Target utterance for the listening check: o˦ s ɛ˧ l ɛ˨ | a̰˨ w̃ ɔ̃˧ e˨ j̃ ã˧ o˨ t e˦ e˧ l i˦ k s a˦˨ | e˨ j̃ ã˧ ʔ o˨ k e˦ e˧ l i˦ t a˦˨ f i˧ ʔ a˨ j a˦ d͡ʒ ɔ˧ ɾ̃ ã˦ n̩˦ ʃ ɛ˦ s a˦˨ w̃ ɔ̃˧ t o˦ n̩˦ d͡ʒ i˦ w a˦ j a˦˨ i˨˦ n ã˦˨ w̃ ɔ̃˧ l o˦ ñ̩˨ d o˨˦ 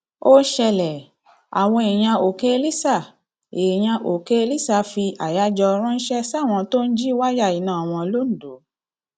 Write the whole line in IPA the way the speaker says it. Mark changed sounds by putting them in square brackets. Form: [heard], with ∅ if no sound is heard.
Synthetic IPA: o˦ [ʃ] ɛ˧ l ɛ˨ | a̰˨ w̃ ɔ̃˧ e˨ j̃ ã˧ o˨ [k] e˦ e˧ l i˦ [∅] s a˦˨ | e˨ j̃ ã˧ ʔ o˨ k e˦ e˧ l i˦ [s] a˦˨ f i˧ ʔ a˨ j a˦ d͡ʒ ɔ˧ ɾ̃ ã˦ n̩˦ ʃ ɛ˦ s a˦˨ w̃ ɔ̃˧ t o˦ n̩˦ d͡ʒ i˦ w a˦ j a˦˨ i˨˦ n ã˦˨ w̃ ɔ̃˧ l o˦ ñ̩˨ d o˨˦